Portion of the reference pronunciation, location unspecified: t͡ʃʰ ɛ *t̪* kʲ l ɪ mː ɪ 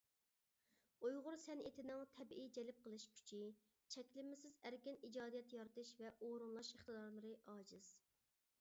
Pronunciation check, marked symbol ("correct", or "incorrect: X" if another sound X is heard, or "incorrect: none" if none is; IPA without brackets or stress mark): incorrect: none